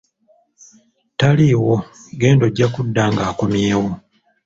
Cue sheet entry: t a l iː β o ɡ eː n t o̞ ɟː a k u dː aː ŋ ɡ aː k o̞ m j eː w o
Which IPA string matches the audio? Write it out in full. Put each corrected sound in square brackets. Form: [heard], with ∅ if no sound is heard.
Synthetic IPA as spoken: t a l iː [w] o ɡ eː n [d] o̞ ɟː a k u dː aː ŋ ɡ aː k o̞ m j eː w o

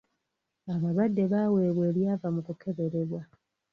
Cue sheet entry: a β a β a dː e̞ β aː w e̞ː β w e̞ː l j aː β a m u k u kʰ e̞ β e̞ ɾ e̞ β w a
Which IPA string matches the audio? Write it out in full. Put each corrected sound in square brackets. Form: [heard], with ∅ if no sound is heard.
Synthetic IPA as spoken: a β a β a dː e̞ β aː w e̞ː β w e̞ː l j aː [v] a m u k u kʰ e̞ β e̞ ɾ e̞ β w a

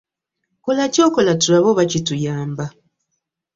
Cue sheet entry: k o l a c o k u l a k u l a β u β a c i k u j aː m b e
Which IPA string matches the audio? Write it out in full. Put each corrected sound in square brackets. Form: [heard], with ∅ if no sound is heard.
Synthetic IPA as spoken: k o l a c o k [o] l a [t] u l a β [o] β a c i [t] u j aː m b [a]

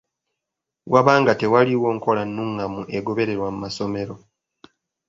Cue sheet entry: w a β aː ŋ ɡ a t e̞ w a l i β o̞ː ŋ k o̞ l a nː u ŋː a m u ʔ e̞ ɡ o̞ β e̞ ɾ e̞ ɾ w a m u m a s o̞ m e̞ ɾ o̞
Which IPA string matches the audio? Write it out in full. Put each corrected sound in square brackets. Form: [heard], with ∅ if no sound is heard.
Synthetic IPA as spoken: w a β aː ŋ ɡ a t e̞ w a l i [w] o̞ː ŋ k o̞ l a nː u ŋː a m u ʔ e̞ ɡ o̞ β e̞ ɾ e̞ ɾ w a m u m a s o̞ m e̞ ɾ o̞

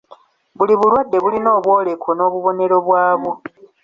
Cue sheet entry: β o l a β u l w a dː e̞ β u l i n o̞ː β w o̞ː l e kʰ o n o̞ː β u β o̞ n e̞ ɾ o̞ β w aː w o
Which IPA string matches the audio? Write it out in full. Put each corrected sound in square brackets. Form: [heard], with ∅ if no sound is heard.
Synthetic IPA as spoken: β [u] l [i] β u l w a dː e̞ β u l i n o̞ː β w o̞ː l e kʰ o n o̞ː β u β o̞ n e̞ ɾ o̞ β w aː [β] o

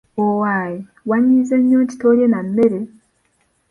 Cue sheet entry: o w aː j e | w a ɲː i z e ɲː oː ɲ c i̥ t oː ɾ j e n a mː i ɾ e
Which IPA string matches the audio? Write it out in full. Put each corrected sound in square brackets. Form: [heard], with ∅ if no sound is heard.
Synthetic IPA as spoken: o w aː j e | w a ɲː i z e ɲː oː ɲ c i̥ t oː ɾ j e n a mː [e] ɾ e

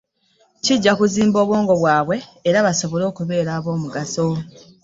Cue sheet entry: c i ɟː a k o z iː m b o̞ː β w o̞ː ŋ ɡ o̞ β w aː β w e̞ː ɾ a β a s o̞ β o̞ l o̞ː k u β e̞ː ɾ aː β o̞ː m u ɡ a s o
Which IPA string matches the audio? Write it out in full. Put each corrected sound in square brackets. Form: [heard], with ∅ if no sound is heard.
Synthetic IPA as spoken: c i ɟː a k [u] z iː m b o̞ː β w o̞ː ŋ ɡ o̞ β w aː β w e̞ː ɾ a β a s o̞ β o̞ l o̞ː k u β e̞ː ɾ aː β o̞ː m u ɡ a s o

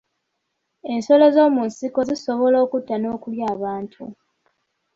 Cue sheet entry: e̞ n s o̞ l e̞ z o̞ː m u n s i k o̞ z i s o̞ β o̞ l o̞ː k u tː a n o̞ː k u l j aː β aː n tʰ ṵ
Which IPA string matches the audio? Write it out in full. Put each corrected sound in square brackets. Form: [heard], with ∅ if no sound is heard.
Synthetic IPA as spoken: e̞ n s o̞ l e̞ z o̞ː m u n s i k o̞ z i s o̞ β o̞ l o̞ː k u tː a n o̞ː k u l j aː β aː n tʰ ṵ

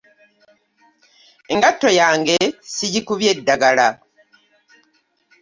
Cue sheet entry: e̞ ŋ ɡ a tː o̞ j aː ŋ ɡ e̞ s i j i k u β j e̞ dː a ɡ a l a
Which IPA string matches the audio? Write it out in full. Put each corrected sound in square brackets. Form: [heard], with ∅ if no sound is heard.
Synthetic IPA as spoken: e̞ ŋ ɡ a tː o̞ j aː ŋ ɡ e̞ s i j i k u β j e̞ dː a ɡ a l a

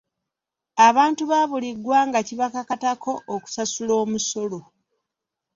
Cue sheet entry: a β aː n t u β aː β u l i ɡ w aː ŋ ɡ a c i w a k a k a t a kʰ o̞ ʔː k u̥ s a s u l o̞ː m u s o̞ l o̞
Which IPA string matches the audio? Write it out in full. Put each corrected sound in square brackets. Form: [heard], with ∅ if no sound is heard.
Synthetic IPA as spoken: a β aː n t u β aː β u l i ɡ w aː ŋ ɡ a c i [β] a k a k a t a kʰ o̞ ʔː k u̥ s a s u l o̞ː m u s o̞ l o̞

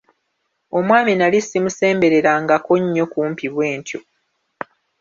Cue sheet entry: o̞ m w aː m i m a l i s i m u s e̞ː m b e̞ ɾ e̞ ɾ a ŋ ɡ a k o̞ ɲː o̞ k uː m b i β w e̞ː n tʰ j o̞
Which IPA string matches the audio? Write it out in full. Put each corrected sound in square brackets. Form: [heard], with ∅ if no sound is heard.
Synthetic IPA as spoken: o̞ m w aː m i [n] a l i s i m u s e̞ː m b e̞ ɾ e̞ ɾ a ŋ ɡ a k o̞ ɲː o̞ k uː m [p] i β w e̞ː n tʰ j o̞

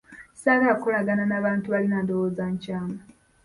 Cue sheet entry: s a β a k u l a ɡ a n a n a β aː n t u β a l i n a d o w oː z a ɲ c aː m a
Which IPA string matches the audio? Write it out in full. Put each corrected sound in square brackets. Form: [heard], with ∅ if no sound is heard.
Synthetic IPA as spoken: s a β a k [o] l a ɡ a n a n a β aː n t u β a l i n a d o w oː z a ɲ c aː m a

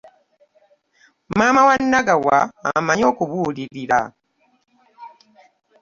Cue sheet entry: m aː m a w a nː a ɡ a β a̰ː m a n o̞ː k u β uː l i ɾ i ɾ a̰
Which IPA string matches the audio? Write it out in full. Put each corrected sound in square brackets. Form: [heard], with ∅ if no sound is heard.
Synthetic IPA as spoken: m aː m a w a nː a ɡ a [w] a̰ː m a [ɲ] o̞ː k u β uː l i ɾ i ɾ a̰

